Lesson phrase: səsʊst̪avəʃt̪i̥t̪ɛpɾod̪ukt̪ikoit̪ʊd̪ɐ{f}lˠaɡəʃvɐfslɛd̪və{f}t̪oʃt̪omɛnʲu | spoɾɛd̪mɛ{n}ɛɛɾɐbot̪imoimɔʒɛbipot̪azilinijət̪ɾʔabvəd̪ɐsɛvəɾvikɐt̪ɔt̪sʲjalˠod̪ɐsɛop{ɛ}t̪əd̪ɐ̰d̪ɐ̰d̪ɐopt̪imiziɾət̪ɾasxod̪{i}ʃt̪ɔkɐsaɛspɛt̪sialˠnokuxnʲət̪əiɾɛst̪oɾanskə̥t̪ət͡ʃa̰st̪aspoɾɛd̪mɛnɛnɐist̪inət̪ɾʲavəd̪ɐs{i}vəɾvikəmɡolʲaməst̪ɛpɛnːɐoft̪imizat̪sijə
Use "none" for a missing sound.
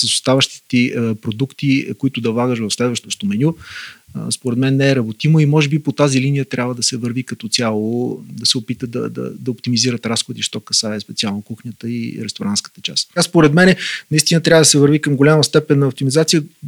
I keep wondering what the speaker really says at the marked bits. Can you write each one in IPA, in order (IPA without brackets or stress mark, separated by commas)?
v, ʃ, nː, i, i, ɛ